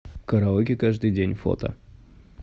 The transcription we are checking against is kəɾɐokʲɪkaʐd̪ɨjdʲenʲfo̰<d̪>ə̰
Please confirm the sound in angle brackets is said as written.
no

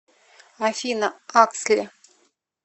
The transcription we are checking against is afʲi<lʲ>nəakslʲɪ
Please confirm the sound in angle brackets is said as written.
no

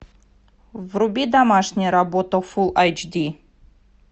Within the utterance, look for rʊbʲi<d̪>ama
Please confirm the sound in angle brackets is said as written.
yes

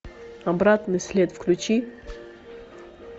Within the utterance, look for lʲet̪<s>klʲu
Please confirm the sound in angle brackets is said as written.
no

